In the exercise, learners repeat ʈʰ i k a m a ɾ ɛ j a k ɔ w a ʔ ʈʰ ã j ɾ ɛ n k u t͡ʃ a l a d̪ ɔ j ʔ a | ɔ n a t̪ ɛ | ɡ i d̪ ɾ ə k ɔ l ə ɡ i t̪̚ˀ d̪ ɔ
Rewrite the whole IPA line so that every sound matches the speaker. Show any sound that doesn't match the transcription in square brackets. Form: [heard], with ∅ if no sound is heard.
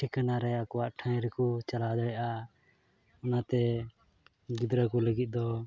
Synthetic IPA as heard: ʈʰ i k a [n] a ɾ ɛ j a k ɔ w a ʔ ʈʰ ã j ɾ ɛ [∅] k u t͡ʃ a l a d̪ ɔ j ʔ a | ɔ n a t̪ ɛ | ɡ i d̪ ɾ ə k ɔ l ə ɡ i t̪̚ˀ d̪ ɔ